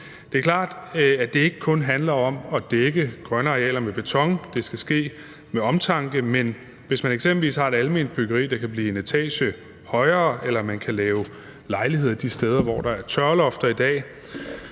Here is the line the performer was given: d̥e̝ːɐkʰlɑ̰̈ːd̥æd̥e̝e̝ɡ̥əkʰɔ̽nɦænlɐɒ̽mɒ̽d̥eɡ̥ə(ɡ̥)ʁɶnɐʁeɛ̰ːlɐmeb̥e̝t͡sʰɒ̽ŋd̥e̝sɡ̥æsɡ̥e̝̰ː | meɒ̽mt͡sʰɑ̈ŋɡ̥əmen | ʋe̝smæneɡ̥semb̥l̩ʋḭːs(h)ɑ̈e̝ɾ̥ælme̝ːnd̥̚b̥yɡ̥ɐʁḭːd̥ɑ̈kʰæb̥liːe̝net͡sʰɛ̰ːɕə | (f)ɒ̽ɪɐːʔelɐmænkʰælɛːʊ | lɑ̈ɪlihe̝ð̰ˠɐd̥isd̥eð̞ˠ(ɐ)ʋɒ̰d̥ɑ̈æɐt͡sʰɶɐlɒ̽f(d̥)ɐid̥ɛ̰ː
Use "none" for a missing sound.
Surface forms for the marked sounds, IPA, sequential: ɡ̥, h, h, ɐ, d̥

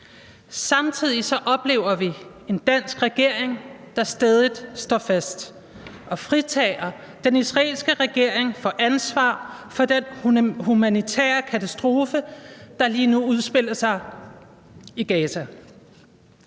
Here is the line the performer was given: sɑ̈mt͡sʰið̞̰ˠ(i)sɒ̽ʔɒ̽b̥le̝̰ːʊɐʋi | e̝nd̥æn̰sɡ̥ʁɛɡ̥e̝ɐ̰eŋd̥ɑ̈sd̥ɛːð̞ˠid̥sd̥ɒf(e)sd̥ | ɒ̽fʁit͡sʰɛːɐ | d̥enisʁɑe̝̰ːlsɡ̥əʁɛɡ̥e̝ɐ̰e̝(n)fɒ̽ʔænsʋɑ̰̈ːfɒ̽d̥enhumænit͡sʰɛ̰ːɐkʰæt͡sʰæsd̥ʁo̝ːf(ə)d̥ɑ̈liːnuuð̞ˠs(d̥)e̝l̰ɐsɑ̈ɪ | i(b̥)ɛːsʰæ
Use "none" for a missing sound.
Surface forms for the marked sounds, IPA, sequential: i, æ, ŋ, ə, b̥, ɡ̥

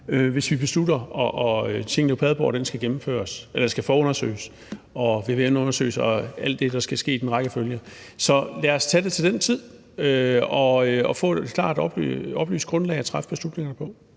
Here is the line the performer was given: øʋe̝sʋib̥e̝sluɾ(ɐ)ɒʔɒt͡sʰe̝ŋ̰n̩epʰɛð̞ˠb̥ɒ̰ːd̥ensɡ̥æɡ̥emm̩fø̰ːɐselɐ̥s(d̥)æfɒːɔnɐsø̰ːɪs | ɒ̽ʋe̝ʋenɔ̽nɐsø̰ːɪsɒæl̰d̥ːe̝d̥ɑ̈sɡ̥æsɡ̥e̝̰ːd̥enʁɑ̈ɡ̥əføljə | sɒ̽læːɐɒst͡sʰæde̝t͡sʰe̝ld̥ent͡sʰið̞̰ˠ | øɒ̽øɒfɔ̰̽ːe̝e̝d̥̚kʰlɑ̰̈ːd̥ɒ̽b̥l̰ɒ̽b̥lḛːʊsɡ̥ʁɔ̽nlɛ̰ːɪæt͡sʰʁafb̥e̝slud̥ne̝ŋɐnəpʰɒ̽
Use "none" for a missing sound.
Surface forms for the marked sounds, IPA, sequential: ɐ, ɡ̥

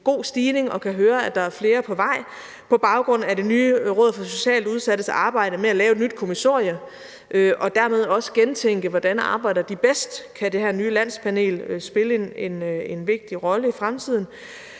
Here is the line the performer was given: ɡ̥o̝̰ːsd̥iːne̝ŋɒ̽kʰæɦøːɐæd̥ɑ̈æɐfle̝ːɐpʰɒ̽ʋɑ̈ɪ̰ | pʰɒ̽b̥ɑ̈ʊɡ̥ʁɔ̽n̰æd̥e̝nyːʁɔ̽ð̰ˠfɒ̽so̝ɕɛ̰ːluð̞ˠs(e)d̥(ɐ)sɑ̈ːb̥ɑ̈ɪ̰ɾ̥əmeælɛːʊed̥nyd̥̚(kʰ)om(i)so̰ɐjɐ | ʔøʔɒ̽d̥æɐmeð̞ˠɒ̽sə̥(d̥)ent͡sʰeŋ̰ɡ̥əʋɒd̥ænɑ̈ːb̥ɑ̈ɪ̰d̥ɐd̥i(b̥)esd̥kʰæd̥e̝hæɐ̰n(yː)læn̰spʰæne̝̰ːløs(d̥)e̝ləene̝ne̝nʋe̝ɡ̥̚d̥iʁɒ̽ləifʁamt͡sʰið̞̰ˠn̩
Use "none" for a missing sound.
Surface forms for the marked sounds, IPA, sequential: æ, ə, kʰ, i, ɡ̥, b̥, yː, b̥

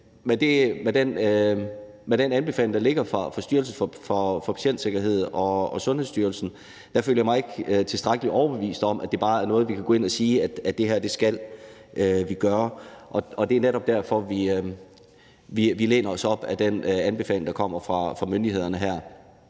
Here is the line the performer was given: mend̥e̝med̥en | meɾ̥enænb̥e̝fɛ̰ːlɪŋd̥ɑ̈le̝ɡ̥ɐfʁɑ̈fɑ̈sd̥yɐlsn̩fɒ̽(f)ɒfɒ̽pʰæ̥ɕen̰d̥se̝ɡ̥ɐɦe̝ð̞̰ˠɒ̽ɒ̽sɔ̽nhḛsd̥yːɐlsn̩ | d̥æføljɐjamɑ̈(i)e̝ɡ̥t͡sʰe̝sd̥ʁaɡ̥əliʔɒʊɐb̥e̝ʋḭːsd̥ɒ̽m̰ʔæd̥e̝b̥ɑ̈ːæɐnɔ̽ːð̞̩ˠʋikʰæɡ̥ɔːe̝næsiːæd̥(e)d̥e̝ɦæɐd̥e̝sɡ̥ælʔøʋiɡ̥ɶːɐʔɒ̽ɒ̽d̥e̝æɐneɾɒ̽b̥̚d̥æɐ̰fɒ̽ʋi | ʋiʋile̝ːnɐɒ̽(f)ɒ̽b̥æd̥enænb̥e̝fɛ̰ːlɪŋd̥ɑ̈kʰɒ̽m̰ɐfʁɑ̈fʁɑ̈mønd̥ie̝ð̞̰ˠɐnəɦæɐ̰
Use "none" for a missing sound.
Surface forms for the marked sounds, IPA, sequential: f, ɪ, æ, s

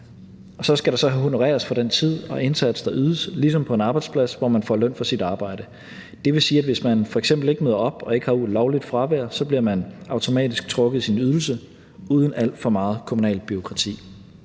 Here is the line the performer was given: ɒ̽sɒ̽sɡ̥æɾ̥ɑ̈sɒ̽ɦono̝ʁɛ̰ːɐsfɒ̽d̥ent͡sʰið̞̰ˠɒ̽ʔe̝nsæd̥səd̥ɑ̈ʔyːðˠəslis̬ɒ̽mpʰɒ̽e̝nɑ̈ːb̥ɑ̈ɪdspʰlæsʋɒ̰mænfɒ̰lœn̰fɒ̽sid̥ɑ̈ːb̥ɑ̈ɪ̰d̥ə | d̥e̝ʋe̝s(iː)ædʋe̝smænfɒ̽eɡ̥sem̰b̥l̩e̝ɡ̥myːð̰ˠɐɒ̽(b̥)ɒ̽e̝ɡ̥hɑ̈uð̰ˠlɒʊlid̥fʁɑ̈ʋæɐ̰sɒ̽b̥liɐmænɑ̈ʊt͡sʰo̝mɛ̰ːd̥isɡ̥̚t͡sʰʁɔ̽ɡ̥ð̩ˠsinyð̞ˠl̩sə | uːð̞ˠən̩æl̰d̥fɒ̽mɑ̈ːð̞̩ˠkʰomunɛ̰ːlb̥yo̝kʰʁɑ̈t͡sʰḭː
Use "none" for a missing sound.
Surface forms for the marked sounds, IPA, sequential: iː, b̥

